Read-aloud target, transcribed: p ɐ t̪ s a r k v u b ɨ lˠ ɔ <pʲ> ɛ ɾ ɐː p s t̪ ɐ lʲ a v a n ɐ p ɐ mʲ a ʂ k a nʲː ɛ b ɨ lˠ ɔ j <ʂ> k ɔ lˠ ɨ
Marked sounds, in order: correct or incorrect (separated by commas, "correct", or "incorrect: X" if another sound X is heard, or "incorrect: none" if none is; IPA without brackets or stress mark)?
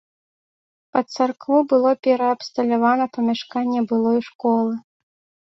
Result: correct, correct